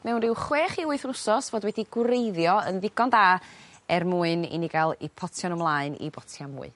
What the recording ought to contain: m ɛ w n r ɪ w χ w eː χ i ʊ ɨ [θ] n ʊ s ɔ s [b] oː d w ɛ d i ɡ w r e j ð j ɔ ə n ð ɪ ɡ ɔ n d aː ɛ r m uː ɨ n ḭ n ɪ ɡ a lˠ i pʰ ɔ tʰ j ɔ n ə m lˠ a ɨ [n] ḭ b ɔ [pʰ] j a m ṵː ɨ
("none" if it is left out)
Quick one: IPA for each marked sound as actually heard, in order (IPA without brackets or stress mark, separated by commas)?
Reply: θ, v, n, tʰ